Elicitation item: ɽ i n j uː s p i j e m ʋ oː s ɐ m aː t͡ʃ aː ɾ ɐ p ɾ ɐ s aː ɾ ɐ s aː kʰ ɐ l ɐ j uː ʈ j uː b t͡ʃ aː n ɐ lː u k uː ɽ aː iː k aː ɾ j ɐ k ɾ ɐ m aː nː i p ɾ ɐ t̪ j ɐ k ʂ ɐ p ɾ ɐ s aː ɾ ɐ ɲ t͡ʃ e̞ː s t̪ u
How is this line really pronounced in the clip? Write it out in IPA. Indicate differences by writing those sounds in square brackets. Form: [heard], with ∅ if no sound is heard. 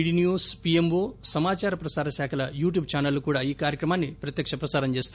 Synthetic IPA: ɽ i n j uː s p i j e m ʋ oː s ɐ m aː t͡ʃ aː ɾ ɐ p ɾ ɐ s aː ɾ ɐ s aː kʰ ɐ l ɐ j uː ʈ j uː b t͡ʃ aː n ɐ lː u k uː ɽ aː iː k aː ɾ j ɐ k ɾ ɐ m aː nː i p ɾ ɐ t̪ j ɐ k ʂ ɐ p ɾ ɐ s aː ɾ ɐ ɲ t͡ʃ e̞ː s t̪ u